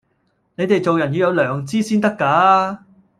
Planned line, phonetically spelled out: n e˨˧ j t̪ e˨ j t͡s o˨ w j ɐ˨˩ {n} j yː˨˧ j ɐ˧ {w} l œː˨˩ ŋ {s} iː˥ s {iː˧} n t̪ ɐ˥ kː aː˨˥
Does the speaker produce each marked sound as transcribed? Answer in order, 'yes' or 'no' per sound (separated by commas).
yes, yes, no, no